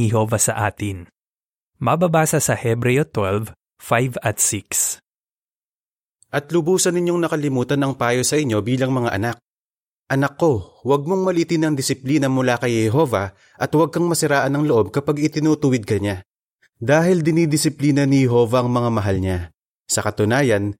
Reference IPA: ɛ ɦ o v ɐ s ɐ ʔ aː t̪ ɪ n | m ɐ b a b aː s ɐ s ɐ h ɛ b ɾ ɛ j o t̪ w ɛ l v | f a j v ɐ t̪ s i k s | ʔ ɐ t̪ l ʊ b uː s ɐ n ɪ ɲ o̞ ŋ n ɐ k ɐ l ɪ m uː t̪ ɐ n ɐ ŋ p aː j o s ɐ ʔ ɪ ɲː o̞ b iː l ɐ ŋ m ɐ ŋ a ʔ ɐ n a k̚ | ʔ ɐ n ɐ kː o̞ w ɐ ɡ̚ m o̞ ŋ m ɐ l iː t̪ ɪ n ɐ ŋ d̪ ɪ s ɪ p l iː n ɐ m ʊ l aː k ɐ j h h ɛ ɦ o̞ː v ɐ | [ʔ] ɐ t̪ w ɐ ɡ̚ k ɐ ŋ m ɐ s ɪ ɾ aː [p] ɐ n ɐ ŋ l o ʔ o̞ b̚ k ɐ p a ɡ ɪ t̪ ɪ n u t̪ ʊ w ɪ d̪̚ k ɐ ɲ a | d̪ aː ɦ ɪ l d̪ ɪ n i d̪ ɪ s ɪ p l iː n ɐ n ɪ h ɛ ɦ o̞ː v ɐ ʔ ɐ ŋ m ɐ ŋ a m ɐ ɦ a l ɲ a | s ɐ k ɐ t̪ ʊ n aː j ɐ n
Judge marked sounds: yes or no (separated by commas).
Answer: yes, no